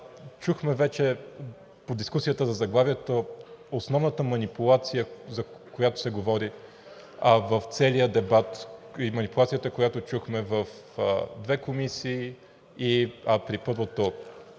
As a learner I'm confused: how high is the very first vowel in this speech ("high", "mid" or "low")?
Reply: high